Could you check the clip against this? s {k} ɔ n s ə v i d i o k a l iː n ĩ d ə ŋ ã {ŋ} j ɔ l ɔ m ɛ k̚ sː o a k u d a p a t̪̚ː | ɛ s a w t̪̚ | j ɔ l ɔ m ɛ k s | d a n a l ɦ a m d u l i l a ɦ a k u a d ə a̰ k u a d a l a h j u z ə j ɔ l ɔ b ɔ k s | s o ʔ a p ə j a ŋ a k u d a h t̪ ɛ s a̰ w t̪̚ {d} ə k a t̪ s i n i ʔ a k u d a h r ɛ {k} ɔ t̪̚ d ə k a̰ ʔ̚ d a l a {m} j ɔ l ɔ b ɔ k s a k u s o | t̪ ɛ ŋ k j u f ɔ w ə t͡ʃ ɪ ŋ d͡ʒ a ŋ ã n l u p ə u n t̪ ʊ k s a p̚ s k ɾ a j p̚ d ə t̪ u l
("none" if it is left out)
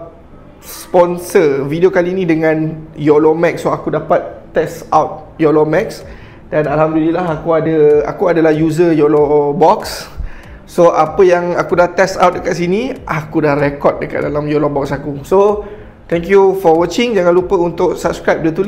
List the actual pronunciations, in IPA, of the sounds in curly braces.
p, n, d, k, m

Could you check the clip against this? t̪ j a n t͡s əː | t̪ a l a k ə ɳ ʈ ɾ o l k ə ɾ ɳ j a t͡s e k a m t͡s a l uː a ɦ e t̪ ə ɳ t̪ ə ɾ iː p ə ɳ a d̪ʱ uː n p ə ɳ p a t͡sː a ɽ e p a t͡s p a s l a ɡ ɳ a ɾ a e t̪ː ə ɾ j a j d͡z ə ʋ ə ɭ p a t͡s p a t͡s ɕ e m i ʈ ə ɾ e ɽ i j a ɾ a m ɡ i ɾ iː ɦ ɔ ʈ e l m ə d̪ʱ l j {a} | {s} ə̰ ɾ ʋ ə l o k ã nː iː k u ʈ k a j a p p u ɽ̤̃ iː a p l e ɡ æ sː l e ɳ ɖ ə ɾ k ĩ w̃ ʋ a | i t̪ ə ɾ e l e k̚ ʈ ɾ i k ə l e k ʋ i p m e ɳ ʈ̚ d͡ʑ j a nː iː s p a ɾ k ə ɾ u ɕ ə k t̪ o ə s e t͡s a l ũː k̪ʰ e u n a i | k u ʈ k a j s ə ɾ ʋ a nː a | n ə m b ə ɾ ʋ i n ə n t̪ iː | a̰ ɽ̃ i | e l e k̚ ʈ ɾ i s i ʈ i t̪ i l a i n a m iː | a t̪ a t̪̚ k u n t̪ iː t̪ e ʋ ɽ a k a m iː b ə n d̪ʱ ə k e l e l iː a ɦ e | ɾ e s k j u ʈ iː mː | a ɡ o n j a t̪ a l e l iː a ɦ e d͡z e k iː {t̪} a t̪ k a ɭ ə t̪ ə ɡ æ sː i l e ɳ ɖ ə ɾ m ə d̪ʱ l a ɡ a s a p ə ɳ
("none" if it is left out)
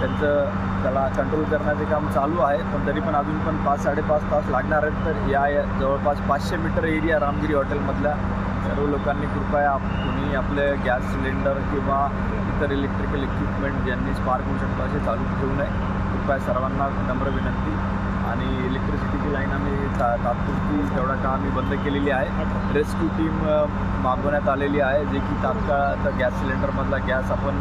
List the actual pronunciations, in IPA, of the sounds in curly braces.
a, s, t̪

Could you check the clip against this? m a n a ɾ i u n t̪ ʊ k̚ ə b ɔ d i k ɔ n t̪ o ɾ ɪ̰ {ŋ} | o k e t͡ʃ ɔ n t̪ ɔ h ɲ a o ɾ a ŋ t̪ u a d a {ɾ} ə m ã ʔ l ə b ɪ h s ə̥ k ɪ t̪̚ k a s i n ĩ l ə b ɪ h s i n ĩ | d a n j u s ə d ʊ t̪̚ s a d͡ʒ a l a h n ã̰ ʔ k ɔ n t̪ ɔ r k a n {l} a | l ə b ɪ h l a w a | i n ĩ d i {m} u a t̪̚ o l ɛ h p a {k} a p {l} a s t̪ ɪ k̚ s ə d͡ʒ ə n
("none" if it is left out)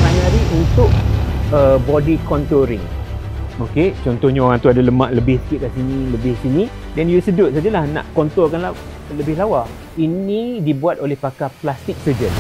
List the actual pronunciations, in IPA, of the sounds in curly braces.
ŋ, l, l, b, k, l

